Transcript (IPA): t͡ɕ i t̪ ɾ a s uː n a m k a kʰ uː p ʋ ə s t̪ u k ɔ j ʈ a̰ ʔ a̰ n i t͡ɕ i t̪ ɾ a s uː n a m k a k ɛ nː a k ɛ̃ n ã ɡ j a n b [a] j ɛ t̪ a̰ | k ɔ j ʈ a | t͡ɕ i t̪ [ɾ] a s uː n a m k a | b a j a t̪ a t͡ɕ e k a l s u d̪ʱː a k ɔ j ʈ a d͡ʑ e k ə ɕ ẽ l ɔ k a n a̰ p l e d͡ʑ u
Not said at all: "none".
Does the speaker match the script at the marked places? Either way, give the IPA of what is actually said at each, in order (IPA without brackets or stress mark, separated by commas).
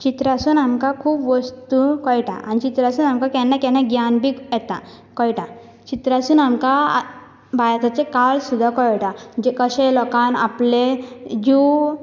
i, ɾ